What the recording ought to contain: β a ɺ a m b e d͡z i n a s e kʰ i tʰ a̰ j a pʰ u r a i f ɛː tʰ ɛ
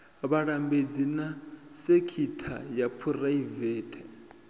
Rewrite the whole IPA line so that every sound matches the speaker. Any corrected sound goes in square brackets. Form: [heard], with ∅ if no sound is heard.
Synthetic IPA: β a ɺ a m b e d͡z i n a s e kʰ i tʰ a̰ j a pʰ u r a i [v] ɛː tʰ ɛ